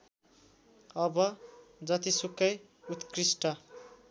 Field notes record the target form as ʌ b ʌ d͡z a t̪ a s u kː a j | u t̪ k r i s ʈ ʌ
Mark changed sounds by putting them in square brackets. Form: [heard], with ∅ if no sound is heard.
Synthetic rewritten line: ʌ b ʌ d͡z [ʌ] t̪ [i] s u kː [ʌ] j | u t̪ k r i s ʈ ʌ